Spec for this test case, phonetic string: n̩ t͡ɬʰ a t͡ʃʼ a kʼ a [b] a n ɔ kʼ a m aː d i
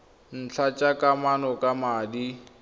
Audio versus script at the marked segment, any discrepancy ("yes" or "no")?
yes